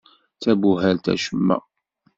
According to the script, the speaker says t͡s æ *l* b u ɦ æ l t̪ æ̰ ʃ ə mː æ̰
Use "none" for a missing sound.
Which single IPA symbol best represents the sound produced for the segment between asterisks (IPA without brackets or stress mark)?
none